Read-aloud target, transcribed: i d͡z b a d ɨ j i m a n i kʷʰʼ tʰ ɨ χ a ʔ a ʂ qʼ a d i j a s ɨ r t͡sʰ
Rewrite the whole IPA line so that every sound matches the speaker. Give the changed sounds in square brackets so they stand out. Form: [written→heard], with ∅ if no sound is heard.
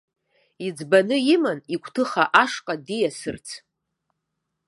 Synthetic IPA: i d͡z b a [d→n] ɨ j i m a n i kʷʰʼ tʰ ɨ χ a ʔ a ʂ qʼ a d i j a s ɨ r t͡sʰ

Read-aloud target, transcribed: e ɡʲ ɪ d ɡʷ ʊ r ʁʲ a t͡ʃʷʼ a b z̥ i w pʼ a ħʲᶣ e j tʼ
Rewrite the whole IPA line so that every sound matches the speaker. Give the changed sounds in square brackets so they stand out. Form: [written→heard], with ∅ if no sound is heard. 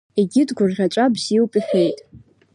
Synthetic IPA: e ɡʲ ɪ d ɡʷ ʊ r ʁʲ a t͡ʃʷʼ a b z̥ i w pʼ [a→i] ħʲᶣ e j tʼ

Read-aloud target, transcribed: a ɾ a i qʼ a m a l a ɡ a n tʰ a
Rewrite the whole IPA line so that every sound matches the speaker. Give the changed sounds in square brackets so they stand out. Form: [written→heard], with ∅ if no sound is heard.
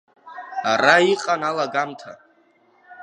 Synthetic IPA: a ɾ a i qʼ a [m→n] a l a ɡ a [n→m] tʰ a

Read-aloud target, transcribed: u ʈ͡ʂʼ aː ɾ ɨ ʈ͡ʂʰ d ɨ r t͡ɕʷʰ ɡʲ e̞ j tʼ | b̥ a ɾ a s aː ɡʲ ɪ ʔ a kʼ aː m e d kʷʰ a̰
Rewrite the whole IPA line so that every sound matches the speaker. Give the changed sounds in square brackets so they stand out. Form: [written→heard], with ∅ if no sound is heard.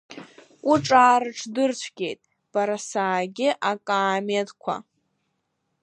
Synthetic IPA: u ʈ͡ʂʼ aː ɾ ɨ ʈ͡ʂʰ d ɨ r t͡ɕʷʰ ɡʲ e̞ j tʼ | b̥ a ɾ a s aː ɡʲ ɪ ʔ a kʼ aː m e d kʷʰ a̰

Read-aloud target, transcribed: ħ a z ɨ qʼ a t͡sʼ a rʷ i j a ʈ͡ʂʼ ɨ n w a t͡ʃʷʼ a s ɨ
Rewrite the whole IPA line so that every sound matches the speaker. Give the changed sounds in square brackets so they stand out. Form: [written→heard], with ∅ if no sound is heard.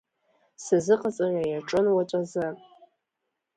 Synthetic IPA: [ħ→s] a z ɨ qʼ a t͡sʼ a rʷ [i→a] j a ʈ͡ʂʼ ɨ n w a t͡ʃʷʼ a [s→z] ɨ

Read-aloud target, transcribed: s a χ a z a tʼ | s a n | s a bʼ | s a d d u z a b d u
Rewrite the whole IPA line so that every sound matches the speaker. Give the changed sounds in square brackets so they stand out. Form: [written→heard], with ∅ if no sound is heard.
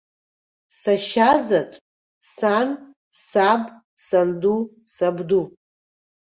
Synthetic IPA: s a [χ→ʃ] a z a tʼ | s a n | s a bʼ | s a [d→n] d u [z→s] a b d u

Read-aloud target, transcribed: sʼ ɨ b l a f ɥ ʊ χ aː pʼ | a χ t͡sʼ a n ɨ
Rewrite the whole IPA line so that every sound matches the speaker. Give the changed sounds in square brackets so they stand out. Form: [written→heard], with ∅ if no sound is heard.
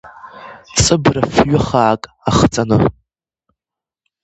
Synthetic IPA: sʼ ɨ b [l→r] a f ɥ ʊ χ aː [pʼ→kʼ] | a χ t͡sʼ a n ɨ

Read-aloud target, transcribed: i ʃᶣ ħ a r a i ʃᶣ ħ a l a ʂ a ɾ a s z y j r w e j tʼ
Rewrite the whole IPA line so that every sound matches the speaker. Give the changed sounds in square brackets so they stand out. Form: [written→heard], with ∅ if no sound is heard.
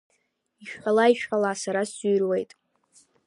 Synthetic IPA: i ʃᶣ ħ a [r→l] a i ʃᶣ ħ a l a [ʂ→s] a ɾ a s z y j r w e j tʼ

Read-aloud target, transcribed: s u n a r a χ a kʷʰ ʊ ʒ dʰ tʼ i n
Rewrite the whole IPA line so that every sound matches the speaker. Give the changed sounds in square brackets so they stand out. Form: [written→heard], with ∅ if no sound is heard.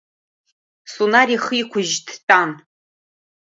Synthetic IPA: s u n a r [a→i] χ [a→i] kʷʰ ʊ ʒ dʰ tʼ [i→a] n

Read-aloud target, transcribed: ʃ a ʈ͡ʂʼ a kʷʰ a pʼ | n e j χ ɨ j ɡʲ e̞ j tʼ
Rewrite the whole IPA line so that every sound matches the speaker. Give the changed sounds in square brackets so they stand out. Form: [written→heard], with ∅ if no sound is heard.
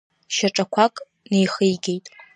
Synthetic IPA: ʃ a ʈ͡ʂʼ a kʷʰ a [pʼ→kʼ] | n e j χ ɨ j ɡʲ e̞ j tʼ

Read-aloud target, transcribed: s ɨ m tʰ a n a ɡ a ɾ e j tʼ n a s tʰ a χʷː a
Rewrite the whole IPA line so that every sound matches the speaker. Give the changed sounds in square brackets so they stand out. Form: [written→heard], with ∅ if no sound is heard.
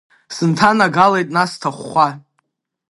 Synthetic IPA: s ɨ [m→n] tʰ a n a ɡ a [ɾ→l] e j tʼ n a s tʰ a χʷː a

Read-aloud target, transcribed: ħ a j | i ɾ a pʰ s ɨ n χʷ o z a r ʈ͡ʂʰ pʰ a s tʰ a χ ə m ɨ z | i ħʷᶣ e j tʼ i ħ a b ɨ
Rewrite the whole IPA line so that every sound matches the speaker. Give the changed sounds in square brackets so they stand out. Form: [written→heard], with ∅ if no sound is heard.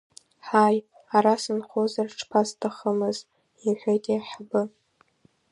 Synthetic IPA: ħ a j | [i→a] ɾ a [pʰ→∅] s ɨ n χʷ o z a r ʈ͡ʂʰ pʰ a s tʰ a χ ə m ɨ z | i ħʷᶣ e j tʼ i ħ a b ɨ

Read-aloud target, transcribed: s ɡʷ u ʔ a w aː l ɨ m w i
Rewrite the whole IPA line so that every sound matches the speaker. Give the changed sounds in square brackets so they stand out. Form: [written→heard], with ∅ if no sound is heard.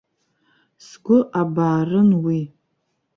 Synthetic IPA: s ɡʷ [u→ʊ] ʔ a [w→b] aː [l→r] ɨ [m→n] w i

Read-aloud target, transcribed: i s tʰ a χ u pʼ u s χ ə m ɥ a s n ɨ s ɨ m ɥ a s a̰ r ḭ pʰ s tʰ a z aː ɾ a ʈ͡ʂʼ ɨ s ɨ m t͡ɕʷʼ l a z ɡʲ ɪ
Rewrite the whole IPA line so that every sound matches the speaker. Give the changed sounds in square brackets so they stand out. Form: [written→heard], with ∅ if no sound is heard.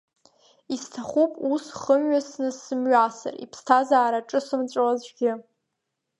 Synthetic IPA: i s tʰ a χ u pʼ u s χ ə m ɥ a s n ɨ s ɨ m ɥ a s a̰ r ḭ pʰ s tʰ a z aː ɾ a ʈ͡ʂʼ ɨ s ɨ m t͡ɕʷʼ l a z ɡʲ ɪ

